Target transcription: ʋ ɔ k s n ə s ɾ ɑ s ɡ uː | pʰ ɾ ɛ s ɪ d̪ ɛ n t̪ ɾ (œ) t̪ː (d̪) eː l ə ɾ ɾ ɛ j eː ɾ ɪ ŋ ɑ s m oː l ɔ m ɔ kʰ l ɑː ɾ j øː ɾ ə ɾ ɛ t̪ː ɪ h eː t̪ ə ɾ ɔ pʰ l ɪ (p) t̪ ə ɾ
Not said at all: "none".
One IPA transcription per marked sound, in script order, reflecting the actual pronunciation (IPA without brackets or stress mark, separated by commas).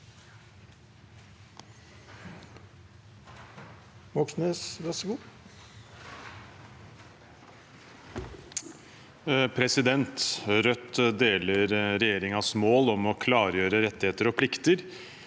œ, d̪, k